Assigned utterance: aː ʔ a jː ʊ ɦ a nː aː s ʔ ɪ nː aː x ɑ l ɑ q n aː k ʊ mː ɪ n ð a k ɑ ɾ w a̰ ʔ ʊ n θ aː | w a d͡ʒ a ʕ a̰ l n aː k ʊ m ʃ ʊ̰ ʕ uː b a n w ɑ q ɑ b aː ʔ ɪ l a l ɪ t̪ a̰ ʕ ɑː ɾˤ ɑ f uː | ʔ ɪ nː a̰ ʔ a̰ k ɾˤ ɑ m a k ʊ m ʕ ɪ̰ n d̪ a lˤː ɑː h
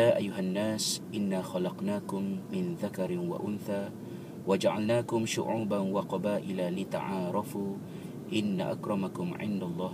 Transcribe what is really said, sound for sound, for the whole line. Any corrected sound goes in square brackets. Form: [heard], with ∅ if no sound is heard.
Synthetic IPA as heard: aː ʔ a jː ʊ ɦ a nː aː s ʔ ɪ nː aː x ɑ l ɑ q n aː k ʊ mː ɪ n ð a k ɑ ɾ w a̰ ʔ ʊ n θ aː | w a d͡ʒ a ʕ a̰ l n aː k ʊ m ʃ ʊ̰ ʕ uː b a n w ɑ q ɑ b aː ʔ ɪ l a l ɪ t̪ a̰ ʕ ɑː ɾˤ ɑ f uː | ʔ ɪ nː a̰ ʔ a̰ k ɾˤ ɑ m a k ʊ m ʕ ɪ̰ n d̪ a lˤː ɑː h